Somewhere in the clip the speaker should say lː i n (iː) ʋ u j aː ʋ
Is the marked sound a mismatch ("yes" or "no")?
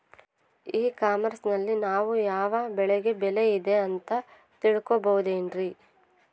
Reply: yes